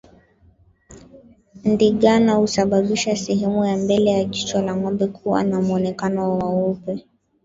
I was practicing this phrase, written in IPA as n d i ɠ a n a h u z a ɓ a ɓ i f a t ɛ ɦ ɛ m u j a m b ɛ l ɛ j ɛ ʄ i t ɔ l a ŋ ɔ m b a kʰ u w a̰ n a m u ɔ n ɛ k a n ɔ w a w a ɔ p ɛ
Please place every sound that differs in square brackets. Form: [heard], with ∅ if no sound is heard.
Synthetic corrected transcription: n d i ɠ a n a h u [s] a ɓ a ɓ i [ʃ] a [s] ɛ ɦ ɛ m u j a m b ɛ l ɛ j [a] ʄ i [t͡ʃ] ɔ l a ŋ ɔ m b [ɛ] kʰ u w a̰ n a m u ɔ n ɛ k a n ɔ w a w a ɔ p ɛ